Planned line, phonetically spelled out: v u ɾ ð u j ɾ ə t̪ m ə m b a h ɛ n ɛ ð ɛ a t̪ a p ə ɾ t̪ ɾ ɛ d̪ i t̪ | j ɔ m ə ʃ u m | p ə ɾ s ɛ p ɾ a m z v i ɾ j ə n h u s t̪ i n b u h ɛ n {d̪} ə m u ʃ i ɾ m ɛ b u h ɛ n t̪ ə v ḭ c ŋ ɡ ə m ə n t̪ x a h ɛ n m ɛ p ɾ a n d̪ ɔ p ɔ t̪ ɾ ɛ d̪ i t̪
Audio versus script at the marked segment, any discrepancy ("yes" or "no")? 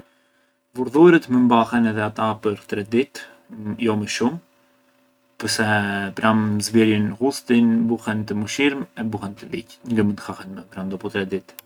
yes